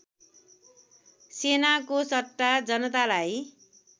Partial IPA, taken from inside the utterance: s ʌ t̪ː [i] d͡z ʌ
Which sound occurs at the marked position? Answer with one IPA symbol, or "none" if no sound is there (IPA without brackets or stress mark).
a